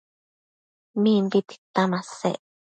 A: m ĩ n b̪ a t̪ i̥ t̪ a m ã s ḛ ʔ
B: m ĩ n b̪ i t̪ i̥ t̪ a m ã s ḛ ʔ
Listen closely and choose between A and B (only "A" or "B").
B